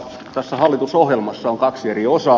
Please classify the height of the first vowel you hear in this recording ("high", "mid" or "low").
low